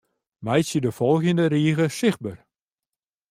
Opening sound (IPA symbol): m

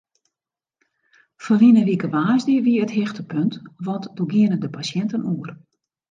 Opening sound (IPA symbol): f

